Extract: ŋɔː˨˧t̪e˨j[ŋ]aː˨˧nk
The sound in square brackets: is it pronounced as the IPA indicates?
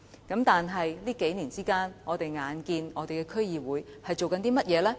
yes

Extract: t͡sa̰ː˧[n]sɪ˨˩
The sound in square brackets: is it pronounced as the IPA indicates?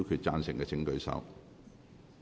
yes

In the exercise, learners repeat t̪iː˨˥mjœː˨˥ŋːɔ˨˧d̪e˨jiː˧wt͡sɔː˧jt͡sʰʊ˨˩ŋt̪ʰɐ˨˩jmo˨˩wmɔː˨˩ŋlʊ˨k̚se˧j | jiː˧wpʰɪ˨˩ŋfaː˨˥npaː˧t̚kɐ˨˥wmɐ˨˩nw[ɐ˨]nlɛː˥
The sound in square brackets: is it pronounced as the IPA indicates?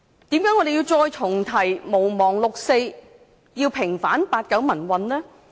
yes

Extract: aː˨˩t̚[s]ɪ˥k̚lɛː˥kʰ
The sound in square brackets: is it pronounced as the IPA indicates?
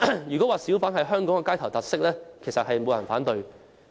yes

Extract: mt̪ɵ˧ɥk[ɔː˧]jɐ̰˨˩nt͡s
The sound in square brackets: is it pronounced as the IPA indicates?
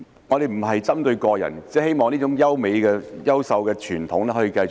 yes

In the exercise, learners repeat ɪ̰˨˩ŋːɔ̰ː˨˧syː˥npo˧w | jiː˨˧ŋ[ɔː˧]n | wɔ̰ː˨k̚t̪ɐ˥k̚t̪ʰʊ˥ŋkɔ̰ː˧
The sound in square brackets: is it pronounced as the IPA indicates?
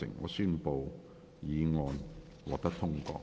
yes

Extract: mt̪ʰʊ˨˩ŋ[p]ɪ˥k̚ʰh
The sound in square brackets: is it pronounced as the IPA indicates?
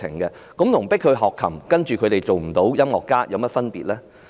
yes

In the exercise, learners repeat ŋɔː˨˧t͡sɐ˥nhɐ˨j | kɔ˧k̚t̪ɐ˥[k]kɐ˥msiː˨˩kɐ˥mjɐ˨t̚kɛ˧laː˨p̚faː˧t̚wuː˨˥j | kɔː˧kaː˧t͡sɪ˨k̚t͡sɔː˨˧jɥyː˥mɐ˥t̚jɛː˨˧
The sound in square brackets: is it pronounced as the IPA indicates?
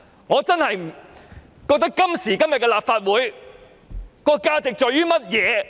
yes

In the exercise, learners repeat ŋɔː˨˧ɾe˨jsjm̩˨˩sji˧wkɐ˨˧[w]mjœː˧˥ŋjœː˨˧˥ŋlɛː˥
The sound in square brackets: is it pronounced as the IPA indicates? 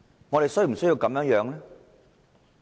no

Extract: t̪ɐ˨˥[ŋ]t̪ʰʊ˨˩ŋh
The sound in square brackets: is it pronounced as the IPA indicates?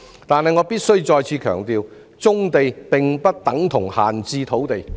yes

